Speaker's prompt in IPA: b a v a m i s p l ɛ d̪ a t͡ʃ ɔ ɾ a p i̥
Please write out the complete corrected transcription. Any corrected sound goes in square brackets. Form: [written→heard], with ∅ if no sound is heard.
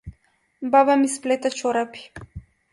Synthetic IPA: b a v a m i s p l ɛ [d̪→t̪] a t͡ʃ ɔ ɾ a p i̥